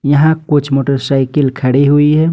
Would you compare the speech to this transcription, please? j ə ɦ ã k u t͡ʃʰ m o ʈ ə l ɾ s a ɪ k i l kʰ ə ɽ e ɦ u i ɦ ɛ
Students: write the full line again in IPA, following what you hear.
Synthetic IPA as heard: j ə ɦ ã k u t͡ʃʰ m o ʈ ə ɾ s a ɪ k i l kʰ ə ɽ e ɦ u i ɦ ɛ